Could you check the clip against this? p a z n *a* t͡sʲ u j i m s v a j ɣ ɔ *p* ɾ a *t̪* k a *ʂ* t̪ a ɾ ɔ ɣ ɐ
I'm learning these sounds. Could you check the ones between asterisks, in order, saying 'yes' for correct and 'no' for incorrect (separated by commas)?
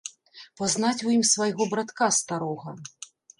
yes, no, yes, no